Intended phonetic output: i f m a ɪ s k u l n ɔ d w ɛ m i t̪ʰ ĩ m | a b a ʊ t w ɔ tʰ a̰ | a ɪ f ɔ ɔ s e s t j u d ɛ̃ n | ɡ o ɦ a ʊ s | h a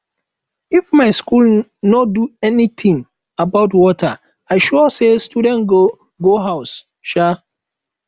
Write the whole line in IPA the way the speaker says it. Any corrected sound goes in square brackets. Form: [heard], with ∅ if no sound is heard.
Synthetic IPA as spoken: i f m a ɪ s k u l n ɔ d [u] ɛ [n] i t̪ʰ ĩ [ŋ] | a b a ʊ t w ɔ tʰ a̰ | a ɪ [ʃ] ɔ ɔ s e s t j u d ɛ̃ n | ɡ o ɦ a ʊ s | [ʃ] a